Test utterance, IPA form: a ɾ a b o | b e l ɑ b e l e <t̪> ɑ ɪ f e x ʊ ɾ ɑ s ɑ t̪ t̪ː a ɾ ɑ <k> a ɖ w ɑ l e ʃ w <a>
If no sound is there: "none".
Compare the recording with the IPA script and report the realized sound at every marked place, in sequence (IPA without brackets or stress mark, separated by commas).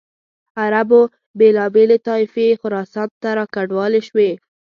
t̪, k, e